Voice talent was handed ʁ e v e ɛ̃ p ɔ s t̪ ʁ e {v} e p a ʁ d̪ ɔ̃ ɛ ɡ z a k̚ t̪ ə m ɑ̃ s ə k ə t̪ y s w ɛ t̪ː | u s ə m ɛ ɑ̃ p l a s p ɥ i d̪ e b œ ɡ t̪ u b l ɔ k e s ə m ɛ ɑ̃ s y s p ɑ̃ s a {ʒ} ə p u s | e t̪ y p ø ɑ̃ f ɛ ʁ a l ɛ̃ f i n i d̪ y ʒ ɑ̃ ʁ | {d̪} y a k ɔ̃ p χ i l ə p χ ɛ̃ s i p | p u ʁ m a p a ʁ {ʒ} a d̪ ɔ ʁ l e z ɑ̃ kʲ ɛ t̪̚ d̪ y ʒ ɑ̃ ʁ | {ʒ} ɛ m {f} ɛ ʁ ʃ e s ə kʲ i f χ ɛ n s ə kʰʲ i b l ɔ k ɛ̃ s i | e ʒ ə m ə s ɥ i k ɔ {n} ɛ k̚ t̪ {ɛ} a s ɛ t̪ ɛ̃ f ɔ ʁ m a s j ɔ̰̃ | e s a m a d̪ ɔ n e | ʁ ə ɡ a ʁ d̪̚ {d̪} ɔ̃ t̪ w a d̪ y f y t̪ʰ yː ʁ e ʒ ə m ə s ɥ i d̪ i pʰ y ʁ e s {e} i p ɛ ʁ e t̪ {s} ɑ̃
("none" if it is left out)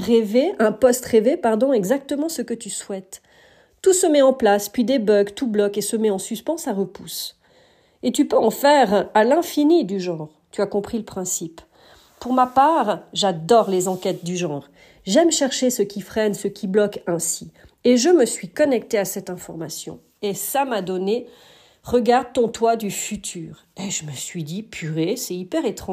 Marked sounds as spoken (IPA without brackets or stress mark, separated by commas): v, ʁ, t̪, ʒ, ʒ, ʃ, n, e, t̪, ɛ, χ